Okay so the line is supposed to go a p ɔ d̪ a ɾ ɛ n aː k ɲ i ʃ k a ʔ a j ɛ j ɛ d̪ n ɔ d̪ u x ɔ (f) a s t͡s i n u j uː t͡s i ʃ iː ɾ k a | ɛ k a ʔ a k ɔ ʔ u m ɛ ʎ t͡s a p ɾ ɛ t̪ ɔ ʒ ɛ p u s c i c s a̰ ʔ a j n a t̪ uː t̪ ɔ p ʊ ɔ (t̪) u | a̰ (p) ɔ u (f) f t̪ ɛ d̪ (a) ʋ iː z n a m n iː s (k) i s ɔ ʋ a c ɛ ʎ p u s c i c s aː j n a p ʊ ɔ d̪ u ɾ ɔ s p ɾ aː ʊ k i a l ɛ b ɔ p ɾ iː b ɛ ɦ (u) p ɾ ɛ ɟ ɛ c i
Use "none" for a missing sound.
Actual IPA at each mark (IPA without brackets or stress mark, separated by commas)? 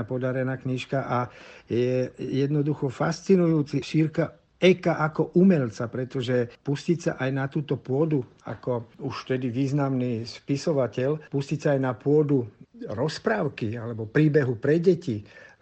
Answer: f, d̪, k, ʃ, i, p, u